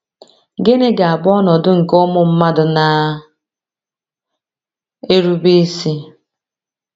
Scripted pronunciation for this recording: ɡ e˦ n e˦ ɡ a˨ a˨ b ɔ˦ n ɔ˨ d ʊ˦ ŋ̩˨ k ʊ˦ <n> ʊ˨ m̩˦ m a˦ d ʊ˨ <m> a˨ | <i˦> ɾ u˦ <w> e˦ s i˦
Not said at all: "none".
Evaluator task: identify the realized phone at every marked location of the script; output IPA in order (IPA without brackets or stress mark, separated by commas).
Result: m, n, e˦, b